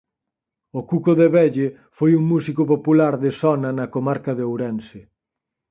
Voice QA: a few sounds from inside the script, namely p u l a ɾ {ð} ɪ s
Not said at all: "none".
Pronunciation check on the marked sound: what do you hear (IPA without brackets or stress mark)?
ð